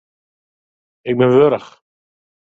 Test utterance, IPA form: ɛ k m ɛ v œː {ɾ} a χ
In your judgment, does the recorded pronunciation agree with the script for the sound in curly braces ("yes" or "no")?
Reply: yes